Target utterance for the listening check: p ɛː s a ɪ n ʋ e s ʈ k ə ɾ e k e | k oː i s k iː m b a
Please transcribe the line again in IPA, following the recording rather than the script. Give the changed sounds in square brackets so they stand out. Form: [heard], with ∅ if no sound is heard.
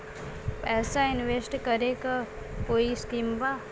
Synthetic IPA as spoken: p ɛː s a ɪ n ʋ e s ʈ k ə ɾ e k [a] | k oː i s k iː m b a

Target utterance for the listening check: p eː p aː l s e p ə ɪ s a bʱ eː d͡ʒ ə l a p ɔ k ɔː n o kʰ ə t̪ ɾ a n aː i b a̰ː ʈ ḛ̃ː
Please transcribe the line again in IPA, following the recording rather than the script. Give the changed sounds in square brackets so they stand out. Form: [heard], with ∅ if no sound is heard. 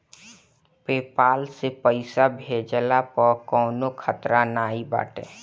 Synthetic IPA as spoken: p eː p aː l s e p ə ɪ s a bʱ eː d͡ʒ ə l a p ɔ k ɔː n o kʰ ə t̪ ɾ a n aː i b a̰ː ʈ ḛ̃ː

